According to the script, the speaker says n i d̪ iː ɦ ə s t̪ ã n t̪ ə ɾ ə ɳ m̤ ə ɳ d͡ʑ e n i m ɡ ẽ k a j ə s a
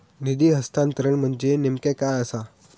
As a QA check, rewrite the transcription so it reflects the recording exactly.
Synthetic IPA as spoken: n i d̪ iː ɦ ə s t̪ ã n t̪ ə ɾ ə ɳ m̤ ə ɳ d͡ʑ e n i m k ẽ k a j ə s a